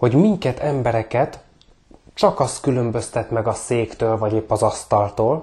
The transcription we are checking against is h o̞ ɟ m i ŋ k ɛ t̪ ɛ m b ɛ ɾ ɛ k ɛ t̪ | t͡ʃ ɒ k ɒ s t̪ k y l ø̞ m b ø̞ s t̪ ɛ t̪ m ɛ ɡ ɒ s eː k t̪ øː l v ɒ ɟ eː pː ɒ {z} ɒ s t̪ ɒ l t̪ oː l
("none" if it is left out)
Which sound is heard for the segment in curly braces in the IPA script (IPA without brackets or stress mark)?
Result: z